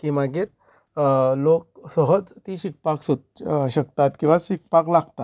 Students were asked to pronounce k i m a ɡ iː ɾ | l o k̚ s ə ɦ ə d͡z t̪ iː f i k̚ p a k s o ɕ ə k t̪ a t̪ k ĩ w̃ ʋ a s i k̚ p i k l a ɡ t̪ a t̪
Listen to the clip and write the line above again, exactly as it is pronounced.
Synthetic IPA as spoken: k i m a ɡ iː ɾ | l o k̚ s ə ɦ ə d͡z t̪ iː ɕ i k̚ p a k s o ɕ ə k t̪ a t̪ k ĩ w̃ ʋ a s i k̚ p a k l a ɡ t̪ a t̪